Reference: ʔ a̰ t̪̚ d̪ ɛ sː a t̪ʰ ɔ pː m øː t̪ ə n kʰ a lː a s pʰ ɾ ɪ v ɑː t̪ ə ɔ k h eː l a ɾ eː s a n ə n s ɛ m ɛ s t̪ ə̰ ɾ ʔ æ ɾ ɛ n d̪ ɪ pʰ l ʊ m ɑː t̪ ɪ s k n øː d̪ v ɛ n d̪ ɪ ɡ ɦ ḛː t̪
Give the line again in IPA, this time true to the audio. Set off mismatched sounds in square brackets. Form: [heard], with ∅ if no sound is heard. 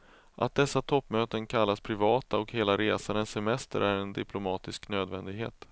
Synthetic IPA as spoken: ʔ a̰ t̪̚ d̪ ɛ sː a t̪ʰ ɔ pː m øː t̪ ə n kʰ a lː a s pʰ ɾ ɪ v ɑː t̪ [a] ɔ k h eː l a ɾ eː s a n ə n s ɛ m ɛ s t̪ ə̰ ɾ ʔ æ ɾ ɛ n d̪ ɪ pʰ l ʊ m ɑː t̪ ɪ s k n øː d̪ v ɛ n d̪ ɪ ɡ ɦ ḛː t̪